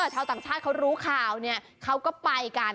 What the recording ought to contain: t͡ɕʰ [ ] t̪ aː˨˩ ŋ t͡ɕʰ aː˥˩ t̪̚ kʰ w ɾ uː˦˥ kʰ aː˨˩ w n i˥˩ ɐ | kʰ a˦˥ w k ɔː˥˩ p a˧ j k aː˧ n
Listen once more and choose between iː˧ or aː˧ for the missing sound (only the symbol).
aː˧